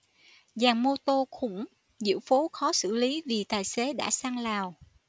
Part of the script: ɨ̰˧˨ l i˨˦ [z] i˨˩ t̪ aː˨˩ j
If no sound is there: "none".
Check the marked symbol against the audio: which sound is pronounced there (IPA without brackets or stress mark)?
v